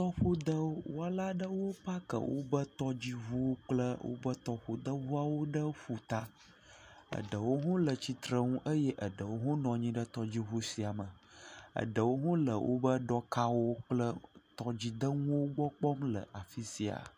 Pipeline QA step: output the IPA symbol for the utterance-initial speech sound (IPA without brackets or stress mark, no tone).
t̪